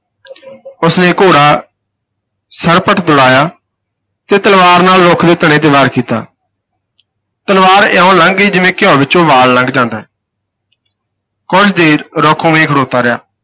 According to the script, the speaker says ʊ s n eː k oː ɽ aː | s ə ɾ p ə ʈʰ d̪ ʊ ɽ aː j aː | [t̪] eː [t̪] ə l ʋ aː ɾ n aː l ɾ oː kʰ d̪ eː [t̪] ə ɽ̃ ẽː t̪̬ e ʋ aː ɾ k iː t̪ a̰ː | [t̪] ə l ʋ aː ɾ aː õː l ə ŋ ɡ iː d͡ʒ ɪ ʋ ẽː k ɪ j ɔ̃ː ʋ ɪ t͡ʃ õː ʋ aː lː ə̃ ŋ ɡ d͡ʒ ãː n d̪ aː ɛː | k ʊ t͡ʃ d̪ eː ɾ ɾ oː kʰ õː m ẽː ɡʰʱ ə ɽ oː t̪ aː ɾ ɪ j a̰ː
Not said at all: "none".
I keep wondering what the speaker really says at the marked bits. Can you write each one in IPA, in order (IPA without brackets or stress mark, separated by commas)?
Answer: t̪, t̪, t̪, t̪